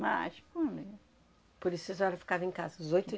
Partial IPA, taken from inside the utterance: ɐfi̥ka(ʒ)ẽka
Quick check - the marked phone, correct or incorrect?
incorrect